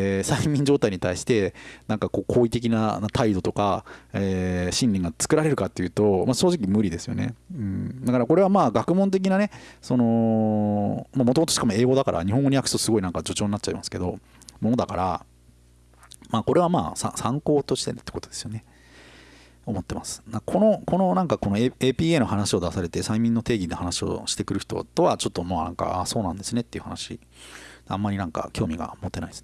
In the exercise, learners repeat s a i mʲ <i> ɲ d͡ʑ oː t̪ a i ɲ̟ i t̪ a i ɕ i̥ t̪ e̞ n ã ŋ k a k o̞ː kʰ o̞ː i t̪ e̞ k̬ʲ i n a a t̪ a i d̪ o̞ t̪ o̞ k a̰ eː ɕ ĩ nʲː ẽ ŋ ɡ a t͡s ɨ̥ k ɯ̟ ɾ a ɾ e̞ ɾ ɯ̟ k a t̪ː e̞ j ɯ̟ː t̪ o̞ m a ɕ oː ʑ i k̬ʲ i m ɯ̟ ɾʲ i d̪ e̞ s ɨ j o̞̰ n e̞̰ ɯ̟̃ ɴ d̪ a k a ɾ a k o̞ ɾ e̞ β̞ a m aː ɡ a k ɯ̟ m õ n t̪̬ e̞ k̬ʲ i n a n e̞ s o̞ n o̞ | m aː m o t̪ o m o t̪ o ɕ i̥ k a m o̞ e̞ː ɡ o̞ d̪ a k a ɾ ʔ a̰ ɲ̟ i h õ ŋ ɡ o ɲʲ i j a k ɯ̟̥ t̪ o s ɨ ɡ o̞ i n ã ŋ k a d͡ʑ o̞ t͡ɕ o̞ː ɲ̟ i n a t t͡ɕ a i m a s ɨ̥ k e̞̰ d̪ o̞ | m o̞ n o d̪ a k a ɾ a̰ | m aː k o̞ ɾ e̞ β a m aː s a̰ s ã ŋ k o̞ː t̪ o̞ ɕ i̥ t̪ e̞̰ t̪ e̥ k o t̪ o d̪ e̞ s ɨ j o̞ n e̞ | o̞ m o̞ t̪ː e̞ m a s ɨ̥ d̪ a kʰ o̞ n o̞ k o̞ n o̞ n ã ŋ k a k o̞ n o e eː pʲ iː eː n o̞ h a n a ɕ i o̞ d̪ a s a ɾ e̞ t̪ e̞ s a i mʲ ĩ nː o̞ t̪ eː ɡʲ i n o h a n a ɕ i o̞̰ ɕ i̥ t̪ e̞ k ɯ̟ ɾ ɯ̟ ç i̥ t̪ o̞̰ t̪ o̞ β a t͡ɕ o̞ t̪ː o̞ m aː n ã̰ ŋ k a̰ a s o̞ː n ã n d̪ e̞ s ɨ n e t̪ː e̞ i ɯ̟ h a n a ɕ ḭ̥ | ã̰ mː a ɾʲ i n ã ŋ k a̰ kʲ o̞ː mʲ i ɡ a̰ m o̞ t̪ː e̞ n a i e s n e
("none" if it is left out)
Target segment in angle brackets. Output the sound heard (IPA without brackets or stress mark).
ĩ